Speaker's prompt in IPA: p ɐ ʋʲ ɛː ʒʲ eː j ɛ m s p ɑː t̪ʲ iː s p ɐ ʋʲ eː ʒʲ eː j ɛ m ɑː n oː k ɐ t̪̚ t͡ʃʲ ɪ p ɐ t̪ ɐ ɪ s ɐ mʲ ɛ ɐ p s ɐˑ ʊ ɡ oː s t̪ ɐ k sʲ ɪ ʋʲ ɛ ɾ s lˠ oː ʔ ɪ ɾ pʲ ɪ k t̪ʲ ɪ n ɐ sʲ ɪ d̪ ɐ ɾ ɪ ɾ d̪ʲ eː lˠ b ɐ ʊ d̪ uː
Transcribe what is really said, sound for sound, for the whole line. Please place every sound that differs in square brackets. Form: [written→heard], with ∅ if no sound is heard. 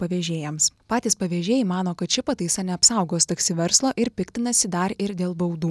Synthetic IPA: p ɐ ʋʲ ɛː ʒʲ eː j ɛ m s p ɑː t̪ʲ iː s p ɐ ʋʲ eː ʒʲ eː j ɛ m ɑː n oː k ɐ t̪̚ t͡ʃʲ ɪ p ɐ t̪ ɐ ɪ s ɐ [mʲ→nʲ] ɛ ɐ p s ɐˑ ʊ ɡ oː s t̪ ɐ k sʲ ɪ ʋʲ ɛ ɾ s lˠ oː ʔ ɪ ɾ pʲ ɪ k t̪ʲ ɪ n ɐ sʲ ɪ d̪ ɐ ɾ ɪ ɾ d̪ʲ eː lˠ b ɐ ʊ d̪ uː